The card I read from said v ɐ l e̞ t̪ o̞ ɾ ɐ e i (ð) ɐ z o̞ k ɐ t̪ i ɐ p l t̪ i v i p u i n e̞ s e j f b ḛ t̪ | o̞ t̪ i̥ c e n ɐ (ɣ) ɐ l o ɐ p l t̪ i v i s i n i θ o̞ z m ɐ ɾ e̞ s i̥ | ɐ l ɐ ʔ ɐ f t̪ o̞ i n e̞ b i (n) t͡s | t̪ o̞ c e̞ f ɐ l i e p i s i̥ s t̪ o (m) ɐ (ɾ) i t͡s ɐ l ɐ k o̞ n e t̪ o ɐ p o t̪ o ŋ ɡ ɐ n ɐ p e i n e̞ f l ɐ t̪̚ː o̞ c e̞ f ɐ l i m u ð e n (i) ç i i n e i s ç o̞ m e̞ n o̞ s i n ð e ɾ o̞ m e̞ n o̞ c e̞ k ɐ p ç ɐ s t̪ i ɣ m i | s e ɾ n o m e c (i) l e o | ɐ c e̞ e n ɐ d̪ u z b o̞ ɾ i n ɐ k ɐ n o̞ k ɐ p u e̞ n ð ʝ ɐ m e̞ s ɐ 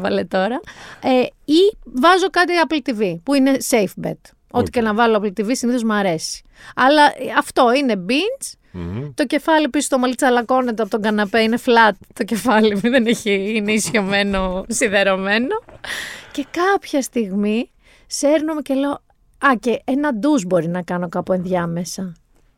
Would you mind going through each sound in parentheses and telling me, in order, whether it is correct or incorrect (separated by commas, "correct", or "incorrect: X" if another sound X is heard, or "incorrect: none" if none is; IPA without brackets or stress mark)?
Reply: incorrect: v, incorrect: v, correct, correct, incorrect: l, incorrect: e, incorrect: e